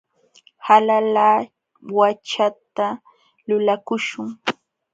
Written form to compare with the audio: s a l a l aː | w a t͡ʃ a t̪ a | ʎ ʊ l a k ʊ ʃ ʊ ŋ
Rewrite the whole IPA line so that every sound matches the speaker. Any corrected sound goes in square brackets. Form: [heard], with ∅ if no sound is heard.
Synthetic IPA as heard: [h] a l a l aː | w a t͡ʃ a t̪ a | [l] ʊ l a k ʊ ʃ ʊ ŋ